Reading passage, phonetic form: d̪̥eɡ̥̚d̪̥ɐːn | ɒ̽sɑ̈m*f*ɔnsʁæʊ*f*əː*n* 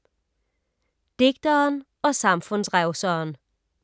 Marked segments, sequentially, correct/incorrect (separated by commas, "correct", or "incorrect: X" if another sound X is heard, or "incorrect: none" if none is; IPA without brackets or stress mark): correct, incorrect: s, correct